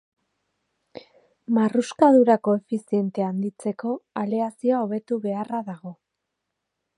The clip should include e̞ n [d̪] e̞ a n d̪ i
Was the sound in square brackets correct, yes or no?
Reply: no